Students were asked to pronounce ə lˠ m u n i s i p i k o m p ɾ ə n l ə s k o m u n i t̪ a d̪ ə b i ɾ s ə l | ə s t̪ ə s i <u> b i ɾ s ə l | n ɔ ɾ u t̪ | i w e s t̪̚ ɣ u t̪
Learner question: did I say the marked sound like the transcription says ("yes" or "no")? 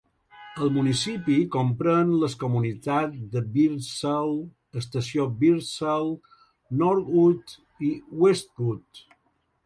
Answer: no